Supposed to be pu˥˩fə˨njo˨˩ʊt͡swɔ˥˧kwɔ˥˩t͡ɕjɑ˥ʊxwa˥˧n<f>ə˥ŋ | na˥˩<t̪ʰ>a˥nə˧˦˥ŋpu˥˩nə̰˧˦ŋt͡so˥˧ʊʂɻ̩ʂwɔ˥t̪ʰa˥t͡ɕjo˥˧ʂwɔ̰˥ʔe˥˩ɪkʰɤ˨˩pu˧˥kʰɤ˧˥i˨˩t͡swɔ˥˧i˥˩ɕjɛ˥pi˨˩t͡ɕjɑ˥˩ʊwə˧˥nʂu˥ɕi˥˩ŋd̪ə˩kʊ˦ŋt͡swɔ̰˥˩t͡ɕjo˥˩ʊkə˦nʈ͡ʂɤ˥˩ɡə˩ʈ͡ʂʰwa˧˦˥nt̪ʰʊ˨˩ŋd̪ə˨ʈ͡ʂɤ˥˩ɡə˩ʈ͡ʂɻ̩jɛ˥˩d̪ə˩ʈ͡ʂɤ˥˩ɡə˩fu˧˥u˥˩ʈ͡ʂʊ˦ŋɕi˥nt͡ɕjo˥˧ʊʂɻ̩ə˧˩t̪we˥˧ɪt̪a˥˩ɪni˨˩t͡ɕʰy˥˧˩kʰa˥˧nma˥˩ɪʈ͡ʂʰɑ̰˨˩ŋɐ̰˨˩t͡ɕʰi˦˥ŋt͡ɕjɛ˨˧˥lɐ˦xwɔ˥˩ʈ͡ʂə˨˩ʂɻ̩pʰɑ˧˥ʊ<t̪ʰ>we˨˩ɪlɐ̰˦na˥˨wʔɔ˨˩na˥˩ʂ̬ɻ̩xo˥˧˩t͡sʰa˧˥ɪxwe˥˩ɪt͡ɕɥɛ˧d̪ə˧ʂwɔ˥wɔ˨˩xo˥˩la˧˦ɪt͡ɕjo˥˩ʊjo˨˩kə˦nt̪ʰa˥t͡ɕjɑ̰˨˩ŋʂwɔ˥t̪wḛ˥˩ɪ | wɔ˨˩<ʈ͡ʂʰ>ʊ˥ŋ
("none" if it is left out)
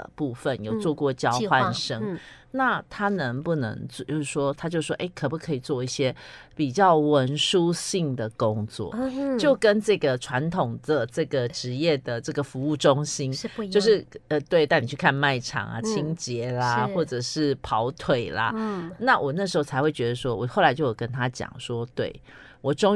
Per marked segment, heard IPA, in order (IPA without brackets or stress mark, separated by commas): ʂ, t̪ʰ, t̪ʰ, ʈ͡ʂ